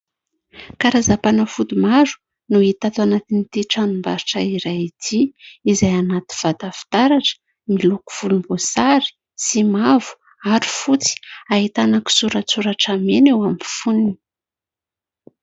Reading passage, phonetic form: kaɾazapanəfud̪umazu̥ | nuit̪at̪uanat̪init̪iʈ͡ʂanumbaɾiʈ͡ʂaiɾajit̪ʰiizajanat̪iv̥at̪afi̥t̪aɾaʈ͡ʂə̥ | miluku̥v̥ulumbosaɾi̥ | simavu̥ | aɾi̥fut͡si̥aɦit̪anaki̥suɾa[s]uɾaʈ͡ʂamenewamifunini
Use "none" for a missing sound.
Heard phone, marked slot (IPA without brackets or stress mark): t͡s